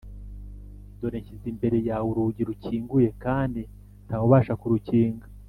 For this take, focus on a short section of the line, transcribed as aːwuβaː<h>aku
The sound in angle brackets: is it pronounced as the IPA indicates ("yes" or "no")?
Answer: no